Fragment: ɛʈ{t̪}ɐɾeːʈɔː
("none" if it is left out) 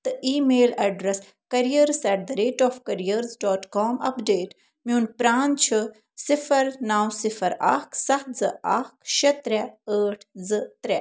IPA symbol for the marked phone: d̪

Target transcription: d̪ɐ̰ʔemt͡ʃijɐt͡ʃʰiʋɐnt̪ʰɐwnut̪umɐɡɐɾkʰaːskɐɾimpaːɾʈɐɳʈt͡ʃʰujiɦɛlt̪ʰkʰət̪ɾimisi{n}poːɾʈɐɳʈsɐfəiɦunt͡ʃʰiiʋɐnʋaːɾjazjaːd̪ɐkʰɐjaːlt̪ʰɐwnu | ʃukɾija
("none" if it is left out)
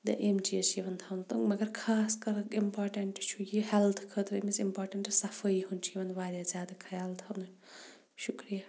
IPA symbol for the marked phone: m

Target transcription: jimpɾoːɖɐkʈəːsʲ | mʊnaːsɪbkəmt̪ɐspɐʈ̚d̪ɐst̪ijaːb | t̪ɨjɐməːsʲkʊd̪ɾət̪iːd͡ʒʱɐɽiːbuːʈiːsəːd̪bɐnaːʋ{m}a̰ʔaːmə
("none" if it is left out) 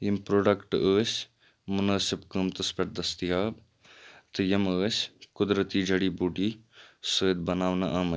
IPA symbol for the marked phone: n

